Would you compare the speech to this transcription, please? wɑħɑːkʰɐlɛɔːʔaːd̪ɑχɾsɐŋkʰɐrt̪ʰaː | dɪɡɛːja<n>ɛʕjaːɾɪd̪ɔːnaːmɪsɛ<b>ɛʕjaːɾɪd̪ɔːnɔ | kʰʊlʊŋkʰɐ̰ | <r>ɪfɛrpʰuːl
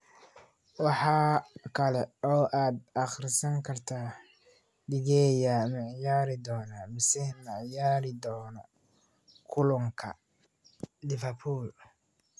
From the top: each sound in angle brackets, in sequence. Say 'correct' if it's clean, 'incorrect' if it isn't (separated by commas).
incorrect, incorrect, incorrect